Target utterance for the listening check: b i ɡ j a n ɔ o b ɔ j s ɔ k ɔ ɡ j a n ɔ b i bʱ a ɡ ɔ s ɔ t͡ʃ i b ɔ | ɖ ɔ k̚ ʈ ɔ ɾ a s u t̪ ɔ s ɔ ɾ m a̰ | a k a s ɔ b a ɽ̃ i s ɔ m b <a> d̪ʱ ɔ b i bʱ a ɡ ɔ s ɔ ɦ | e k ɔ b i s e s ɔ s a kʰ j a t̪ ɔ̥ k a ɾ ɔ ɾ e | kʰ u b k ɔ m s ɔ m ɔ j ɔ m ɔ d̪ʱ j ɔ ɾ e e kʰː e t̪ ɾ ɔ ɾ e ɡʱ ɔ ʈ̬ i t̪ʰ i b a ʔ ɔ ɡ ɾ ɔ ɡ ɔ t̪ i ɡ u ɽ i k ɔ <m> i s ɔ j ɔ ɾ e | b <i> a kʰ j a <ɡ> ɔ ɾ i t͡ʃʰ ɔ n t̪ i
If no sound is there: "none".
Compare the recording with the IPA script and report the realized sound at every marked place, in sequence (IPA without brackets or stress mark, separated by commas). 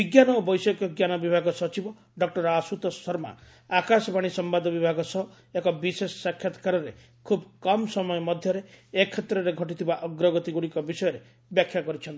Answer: a, b, j, k